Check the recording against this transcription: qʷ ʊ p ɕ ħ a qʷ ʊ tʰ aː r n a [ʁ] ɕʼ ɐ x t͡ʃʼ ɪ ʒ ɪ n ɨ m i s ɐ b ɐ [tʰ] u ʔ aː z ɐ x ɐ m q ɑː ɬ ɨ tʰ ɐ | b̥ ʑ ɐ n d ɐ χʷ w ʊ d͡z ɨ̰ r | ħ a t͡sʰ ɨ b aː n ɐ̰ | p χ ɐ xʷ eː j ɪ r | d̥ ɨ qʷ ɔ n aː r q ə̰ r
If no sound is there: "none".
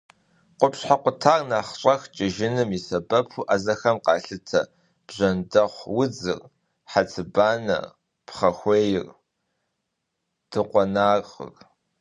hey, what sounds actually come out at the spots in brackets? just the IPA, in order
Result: χ, pʰ

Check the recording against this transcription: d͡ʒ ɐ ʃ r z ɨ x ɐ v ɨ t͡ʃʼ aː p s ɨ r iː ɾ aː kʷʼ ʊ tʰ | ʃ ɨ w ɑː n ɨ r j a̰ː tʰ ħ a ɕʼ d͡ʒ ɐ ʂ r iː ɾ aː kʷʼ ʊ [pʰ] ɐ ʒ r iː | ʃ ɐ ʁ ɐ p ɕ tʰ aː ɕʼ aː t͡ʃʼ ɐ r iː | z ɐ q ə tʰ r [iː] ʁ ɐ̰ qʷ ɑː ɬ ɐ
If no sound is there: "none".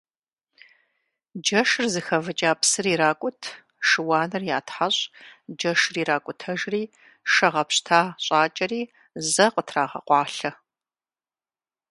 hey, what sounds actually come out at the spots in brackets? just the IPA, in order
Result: tʰ, aː

